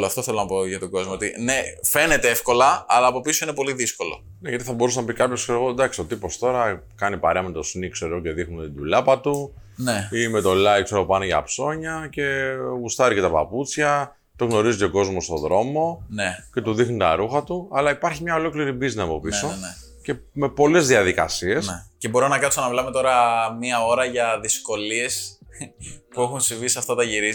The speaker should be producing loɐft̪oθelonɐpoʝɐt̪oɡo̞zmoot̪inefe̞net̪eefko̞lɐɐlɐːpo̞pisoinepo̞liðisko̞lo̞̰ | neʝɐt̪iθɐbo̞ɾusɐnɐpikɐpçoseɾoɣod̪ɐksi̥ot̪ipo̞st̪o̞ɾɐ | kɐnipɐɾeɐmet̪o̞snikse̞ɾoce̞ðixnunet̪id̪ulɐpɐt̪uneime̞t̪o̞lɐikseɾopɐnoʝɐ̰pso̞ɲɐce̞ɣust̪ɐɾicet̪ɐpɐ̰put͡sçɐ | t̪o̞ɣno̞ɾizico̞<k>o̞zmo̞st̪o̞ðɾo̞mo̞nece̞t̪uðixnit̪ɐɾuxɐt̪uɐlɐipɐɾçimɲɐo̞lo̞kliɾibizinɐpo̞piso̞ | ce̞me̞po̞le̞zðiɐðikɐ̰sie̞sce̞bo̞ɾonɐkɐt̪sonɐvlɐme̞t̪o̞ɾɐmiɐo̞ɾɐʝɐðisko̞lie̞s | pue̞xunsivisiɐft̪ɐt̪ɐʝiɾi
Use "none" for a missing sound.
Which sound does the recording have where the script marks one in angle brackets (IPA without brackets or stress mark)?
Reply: ɡ